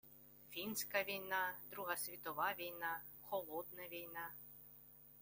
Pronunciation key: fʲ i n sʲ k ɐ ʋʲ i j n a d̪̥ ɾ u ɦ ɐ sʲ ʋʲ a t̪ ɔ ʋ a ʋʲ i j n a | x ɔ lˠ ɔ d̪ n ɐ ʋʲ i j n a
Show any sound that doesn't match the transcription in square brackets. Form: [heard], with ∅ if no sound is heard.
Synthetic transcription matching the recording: fʲ i n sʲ k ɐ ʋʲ i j n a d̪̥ ɾ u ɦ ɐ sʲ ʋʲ [i] t̪ ɔ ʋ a ʋʲ i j n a | x ɔ lˠ ɔ d̪ n ɐ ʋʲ i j n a